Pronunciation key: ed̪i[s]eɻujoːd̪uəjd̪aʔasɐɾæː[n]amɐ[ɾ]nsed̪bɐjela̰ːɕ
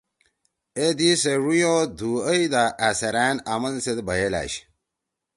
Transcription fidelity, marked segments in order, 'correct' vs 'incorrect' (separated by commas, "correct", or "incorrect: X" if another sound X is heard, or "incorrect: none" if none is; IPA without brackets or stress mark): correct, correct, incorrect: none